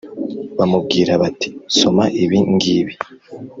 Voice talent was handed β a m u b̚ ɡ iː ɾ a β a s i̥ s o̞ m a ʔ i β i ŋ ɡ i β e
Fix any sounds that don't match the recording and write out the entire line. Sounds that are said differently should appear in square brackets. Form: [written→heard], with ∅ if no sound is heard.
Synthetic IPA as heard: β a m u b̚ ɡ iː ɾ a β a [s→t] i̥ s o̞ m a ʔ i β i ŋ ɡ i β [e→i]